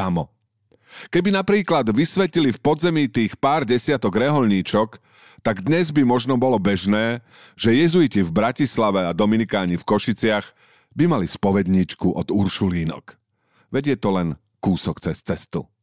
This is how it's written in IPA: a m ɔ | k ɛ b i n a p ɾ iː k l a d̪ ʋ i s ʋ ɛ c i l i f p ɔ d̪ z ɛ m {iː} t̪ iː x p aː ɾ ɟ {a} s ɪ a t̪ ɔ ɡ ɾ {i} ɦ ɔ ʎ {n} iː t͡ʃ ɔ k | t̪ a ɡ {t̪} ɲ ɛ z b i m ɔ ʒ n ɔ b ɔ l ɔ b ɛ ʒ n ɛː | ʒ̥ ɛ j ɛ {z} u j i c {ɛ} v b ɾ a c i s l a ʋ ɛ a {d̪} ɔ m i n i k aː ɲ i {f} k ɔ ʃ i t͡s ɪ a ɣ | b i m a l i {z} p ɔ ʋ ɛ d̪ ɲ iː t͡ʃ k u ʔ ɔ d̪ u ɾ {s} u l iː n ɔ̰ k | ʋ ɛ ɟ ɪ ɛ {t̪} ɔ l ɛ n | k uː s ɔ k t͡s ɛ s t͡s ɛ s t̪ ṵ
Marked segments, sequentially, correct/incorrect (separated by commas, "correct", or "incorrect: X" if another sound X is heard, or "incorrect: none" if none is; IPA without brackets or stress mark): correct, incorrect: ɛ, incorrect: ɛ, incorrect: ɲ, incorrect: d̪, correct, incorrect: i, correct, correct, incorrect: s, incorrect: ʃ, correct